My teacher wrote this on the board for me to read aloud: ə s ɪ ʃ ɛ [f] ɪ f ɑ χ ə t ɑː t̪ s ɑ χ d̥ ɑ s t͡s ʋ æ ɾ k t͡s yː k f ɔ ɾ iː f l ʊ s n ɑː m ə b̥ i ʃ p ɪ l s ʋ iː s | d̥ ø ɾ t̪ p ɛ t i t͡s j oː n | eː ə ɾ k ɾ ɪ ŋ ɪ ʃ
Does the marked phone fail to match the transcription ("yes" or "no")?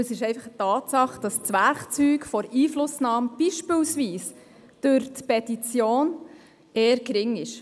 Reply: yes